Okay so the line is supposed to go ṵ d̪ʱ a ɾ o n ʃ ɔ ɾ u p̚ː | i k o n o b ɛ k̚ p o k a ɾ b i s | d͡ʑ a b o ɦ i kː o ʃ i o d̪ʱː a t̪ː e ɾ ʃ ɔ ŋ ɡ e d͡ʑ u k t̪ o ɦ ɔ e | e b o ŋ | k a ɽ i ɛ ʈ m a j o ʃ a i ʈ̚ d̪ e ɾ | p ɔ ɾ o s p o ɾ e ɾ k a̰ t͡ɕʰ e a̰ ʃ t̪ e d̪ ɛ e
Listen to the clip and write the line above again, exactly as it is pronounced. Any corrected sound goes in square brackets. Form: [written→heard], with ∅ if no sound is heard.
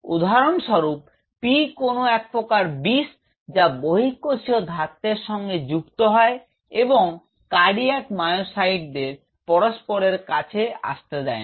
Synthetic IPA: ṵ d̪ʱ a ɾ o n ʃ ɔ ɾ u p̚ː | i k o n o [b→∅] ɛ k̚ p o k a ɾ b i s | d͡ʑ a b o ɦ i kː o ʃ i o [d̪ʱː→d̪ʱ] a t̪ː e ɾ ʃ ɔ ŋ ɡ e d͡ʑ u k t̪ o ɦ ɔ e | e b o ŋ | k a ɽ i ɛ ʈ m a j o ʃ a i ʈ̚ d̪ e ɾ | p ɔ ɾ o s p o ɾ e ɾ k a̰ t͡ɕʰ e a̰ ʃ t̪ e d̪ ɛ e